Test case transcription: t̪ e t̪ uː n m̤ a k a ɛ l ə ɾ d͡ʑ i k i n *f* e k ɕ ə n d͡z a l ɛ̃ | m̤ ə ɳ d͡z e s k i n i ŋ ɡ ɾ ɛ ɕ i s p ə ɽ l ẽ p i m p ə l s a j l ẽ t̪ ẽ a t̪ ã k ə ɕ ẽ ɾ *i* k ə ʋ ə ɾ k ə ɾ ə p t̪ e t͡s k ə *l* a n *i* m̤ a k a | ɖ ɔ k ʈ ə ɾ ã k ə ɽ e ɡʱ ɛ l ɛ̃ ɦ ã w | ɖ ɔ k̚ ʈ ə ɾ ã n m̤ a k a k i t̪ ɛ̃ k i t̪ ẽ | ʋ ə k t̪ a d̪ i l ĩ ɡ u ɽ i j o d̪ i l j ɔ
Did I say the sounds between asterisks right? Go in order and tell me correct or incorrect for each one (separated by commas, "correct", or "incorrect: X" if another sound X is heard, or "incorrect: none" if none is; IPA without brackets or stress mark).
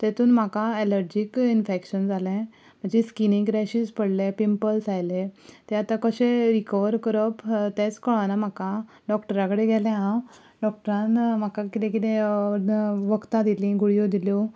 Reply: correct, correct, incorrect: ɭ, incorrect: a